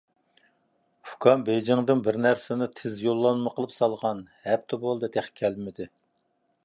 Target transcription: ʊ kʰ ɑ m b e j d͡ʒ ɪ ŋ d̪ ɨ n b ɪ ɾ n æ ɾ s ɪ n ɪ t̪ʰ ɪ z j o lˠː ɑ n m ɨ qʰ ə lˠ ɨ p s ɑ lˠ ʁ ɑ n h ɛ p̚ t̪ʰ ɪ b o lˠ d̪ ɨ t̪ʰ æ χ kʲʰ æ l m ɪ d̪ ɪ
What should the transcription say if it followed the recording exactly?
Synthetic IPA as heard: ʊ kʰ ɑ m b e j d͡ʒ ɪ ŋ d̪ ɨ n b ɪ ɾ n æ ɾ s ɪ n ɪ t̪ʰ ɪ z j o lˠː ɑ n m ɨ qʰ ə lˠ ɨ p s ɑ lˠ ʁ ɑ n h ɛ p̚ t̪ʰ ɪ b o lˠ d̪ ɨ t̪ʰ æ χ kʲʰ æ l m ɪ d̪ ɪ